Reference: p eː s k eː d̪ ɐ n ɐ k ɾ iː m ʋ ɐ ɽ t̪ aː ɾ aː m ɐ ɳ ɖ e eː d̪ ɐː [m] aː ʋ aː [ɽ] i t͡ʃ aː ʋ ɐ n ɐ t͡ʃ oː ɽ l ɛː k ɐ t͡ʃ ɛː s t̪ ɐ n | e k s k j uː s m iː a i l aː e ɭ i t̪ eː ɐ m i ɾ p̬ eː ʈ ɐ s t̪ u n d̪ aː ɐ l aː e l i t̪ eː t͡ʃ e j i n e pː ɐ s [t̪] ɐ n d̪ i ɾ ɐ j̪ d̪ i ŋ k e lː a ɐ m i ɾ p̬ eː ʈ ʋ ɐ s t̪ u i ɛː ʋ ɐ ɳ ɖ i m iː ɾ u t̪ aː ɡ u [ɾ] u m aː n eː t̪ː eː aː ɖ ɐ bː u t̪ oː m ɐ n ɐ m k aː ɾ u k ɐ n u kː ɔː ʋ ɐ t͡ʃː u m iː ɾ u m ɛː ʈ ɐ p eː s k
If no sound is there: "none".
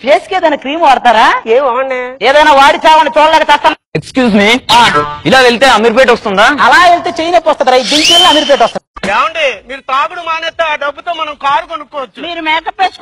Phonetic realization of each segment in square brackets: n, ɽ, t̪, ɽ

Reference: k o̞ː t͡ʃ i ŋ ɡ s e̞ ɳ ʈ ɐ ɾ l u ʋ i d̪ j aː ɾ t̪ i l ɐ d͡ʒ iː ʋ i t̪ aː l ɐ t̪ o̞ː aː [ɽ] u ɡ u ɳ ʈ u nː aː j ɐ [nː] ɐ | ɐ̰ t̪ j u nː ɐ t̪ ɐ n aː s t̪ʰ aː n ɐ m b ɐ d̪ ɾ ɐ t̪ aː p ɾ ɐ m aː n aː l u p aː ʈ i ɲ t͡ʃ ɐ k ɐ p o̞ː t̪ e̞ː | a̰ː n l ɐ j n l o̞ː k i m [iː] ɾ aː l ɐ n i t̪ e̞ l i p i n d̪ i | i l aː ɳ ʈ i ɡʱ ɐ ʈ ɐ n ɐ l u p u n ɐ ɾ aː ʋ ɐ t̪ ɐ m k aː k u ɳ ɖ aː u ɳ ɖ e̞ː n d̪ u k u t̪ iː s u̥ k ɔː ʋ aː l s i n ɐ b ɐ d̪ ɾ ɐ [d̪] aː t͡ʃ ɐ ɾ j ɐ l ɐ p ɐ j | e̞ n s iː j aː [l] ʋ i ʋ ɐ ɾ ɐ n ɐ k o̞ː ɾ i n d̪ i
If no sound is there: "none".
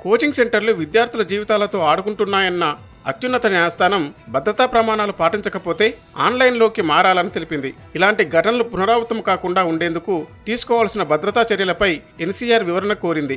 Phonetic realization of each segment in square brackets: ɽ, nː, aː, t̪, ɾ

